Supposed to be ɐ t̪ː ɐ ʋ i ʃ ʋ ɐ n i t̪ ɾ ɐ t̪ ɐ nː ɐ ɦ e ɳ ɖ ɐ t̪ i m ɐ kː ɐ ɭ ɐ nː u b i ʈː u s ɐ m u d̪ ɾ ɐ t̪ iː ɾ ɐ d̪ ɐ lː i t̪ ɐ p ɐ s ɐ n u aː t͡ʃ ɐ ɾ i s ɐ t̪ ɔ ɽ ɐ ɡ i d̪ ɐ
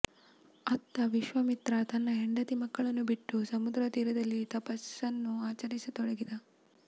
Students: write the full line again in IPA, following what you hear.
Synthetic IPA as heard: ɐ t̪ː ɐ ʋ i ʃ ʋ ɐ m i t̪ ɾ ɐ t̪ ɐ nː ɐ ɦ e ɳ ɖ ɐ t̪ i m ɐ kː ɐ ɭ ɐ nː u b i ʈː u s ɐ m u d̪ ɾ ɐ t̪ iː ɾ ɐ d̪ ɐ lː i t̪ ɐ p ɐ s ɐ nː u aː t͡ʃ ɐ ɾ i s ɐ t̪ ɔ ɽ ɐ ɡ i d̪ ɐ